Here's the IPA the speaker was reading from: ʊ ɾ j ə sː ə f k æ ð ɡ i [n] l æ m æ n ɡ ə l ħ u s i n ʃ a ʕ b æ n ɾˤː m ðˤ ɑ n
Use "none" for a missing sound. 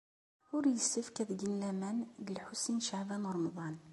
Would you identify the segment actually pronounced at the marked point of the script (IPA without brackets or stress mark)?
n